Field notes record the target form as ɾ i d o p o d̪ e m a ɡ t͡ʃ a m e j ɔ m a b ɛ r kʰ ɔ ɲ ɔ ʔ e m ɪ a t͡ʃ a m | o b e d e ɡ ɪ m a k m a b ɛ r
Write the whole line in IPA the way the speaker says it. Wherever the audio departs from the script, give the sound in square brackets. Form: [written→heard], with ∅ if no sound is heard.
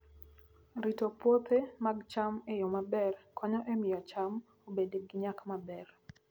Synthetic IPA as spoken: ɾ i [d→t] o p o [d̪→t̪] e m a ɡ t͡ʃ a m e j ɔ m a b ɛ r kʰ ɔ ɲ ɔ ʔ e m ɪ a t͡ʃ a m | o b e d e ɡ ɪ [m→ɲ] a k m a b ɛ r